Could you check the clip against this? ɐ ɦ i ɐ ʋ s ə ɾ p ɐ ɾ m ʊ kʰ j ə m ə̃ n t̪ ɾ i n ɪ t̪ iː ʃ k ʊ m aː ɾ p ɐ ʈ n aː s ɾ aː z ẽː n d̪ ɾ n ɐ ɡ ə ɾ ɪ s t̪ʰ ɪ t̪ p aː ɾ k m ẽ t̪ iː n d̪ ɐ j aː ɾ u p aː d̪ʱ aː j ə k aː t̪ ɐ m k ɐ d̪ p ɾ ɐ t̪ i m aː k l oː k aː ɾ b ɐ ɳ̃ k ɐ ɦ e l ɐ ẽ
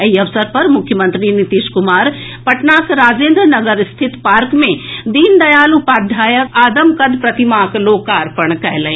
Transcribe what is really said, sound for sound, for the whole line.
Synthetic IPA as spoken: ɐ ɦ i ɐ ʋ s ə ɾ p ɐ ɾ m ʊ kʰ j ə m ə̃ n t̪ ɾ i n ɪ t̪ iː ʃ k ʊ m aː ɾ p ɐ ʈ n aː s ɾ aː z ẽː n d̪ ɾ n ɐ ɡ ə ɾ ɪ s t̪ʰ ɪ t̪ p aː ɾ k m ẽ d̪ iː n d̪ ɐ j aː l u p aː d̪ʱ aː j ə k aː d̪ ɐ m k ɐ d̪ p ɾ ɐ t̪ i m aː k l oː k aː ɾ p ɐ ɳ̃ k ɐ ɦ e l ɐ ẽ